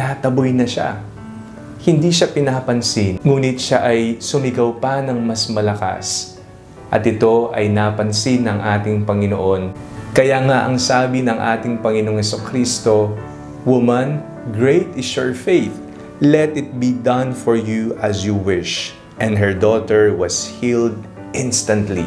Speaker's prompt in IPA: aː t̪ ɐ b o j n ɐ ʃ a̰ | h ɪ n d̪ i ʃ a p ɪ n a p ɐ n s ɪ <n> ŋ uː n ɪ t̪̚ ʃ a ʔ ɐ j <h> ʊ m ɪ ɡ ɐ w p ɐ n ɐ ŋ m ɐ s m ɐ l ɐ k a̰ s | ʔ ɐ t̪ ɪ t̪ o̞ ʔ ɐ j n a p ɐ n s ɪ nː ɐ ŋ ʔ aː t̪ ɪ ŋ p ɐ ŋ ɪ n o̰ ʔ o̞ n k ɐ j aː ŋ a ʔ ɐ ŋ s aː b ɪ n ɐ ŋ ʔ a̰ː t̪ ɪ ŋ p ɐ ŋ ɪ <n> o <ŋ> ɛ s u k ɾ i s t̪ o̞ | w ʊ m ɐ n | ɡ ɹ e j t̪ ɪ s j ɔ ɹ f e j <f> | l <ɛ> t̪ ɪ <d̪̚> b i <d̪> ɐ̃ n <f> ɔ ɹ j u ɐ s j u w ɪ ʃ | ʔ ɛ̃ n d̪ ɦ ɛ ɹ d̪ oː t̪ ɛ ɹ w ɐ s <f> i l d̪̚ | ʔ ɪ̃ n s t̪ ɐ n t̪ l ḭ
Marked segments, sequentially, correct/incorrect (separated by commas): correct, incorrect, correct, correct, incorrect, correct, incorrect, correct, correct, incorrect